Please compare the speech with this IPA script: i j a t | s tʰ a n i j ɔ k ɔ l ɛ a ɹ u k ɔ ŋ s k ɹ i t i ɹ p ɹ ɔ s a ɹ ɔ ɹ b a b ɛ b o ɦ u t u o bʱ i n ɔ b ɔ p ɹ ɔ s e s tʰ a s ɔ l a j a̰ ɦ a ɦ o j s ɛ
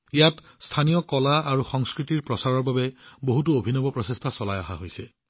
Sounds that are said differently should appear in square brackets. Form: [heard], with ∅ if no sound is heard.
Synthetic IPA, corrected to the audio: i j a t | s tʰ a n i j ɔ k ɔ l [a] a ɹ u [x] ɔ ŋ s k ɹ i t i ɹ p ɹ ɔ s a ɹ ɔ ɹ b a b ɛ b o ɦ u t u o bʱ i n ɔ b ɔ p ɹ ɔ s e s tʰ a s ɔ l a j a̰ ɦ a ɦ o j s ɛ

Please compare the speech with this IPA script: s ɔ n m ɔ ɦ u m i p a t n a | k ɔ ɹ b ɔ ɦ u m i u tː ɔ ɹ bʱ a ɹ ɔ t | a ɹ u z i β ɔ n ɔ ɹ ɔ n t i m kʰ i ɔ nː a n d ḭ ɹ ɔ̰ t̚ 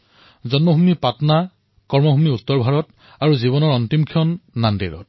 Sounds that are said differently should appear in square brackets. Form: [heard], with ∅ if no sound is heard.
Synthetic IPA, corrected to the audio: [z] ɔ n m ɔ ɦ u m i p a t n a | k ɔ ɹ [m] ɔ ɦ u m i u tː ɔ ɹ bʱ a ɹ ɔ t | a ɹ u z i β ɔ n ɔ ɹ ɔ n t i m kʰ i ɔ nː a n d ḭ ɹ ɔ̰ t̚

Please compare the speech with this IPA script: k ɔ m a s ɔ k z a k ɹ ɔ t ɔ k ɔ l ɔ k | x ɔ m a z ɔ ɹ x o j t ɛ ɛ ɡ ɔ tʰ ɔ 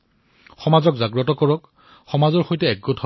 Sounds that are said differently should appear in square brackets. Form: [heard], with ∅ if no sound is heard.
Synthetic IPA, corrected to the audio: [x] ɔ m a [z] ɔ k z a [ɡ] ɹ ɔ t ɔ k ɔ [ɹ] ɔ k | x ɔ m a z ɔ ɹ x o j t ɛ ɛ ɡ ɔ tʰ ɔ

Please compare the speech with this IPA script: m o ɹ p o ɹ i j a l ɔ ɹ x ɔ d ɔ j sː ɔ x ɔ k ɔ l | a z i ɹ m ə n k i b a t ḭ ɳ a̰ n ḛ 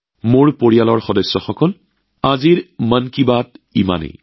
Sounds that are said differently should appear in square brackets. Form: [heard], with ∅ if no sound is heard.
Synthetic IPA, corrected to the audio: m o ɹ p o ɹ i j a l ɔ ɹ x ɔ d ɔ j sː ɔ x ɔ k ɔ l | a z i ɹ m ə n k i b a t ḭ [m] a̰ n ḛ

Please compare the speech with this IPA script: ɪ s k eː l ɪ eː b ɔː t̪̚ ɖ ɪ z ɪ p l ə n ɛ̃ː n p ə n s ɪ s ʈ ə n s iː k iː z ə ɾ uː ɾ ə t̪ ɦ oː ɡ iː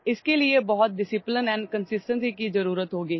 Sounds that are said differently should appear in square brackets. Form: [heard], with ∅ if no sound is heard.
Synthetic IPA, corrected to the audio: ɪ s k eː l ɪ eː b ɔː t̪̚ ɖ ɪ [s] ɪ p l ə n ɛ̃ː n [k] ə n s ɪ s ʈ ə n s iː k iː z ə ɾ uː ɾ ə t̪ ɦ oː ɡ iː

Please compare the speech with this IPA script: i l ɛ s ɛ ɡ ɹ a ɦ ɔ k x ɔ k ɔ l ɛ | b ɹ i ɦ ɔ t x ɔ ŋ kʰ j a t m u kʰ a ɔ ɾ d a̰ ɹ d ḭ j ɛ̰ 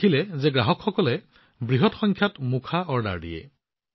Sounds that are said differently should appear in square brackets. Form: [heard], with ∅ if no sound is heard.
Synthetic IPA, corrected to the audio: i l ɛ [z] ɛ ɡ ɹ a ɦ ɔ k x ɔ k ɔ l ɛ | b ɹ i ɦ ɔ t x ɔ ŋ kʰ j a t m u kʰ a ɔ [ɹ] d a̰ ɹ d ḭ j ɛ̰

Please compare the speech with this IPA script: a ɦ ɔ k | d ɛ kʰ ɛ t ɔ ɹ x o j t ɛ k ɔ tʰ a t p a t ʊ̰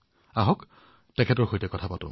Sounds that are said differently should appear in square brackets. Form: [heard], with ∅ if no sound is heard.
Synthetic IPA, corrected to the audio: a ɦ ɔ k | [t] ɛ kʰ ɛ t ɔ ɹ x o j t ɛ k ɔ tʰ a [∅] p a t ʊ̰

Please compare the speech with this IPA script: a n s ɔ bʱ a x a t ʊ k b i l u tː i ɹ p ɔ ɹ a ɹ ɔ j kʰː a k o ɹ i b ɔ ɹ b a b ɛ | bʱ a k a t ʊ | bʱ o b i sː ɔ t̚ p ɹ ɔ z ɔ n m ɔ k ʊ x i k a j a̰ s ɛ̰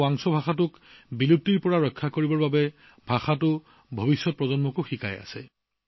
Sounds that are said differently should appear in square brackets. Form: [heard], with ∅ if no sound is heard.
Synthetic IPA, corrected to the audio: a [ŋ] s ɔ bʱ a x a t ʊ k b i l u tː i ɹ p ɔ ɹ a ɹ ɔ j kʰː a k o ɹ i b ɔ ɹ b a b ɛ | bʱ a [x] a t ʊ | bʱ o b i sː ɔ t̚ p ɹ ɔ z ɔ n m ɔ k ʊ x i k a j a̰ s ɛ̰

